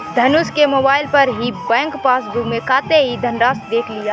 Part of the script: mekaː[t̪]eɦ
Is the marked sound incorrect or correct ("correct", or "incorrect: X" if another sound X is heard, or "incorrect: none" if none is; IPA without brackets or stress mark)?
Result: correct